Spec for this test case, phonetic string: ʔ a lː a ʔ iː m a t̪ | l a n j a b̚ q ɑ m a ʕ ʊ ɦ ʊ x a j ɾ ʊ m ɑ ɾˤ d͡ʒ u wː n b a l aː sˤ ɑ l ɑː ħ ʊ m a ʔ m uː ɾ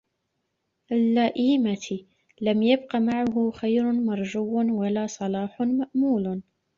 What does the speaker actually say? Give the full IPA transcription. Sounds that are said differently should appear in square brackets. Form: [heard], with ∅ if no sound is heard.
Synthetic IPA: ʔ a lː a ʔ iː m a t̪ | l a [m] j a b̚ q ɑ m a ʕ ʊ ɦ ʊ x a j ɾ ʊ m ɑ ɾˤ d͡ʒ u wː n [w] a l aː sˤ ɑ l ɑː ħ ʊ m a ʔ m uː [l]